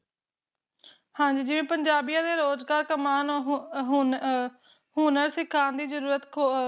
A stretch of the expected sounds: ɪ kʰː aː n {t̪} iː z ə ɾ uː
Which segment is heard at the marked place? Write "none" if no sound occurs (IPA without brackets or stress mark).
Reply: d̪